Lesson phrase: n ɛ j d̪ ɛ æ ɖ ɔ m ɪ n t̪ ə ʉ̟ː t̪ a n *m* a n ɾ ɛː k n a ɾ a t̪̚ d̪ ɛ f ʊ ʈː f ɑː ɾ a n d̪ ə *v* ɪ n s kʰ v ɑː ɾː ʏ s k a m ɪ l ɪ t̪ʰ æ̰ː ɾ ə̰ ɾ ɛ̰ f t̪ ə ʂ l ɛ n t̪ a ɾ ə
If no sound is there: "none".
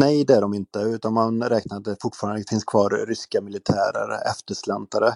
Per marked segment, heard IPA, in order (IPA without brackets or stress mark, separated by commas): m, f